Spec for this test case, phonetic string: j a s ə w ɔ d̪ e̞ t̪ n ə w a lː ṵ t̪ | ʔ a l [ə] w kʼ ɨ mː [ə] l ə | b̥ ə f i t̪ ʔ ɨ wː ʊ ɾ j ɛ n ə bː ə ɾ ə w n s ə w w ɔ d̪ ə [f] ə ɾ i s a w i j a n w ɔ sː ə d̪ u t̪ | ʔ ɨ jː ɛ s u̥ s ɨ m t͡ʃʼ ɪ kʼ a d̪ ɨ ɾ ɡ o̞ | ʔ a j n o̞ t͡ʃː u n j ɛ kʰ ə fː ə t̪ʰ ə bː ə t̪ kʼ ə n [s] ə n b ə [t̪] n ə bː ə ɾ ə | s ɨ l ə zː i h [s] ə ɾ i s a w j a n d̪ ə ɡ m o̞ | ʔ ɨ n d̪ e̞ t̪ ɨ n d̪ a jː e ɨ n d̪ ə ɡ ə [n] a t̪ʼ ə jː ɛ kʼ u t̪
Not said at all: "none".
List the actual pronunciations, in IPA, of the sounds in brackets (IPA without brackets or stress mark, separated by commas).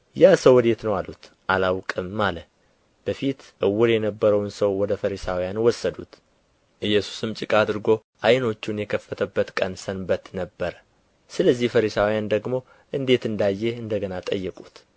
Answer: a, a, f, s, t̪, f, n